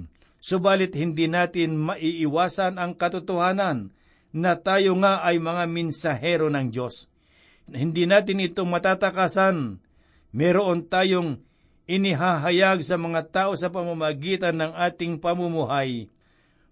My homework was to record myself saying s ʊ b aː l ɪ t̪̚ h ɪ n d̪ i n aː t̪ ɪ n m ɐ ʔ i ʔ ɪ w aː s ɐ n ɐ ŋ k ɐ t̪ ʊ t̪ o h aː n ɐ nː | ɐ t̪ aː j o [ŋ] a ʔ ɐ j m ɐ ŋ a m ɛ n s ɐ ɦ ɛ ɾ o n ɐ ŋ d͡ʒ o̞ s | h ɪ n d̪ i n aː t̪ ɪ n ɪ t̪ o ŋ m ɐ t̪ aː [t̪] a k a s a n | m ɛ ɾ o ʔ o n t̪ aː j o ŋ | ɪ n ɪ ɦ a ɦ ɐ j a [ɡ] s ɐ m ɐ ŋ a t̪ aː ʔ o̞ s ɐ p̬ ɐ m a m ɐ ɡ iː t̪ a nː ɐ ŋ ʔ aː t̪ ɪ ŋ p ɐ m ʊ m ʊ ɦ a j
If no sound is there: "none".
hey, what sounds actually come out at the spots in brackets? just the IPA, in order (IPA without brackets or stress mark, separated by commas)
ŋ, t̪, ɡ